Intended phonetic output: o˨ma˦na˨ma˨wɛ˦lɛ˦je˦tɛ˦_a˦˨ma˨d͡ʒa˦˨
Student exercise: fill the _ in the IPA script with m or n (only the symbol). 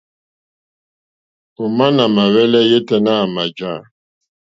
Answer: n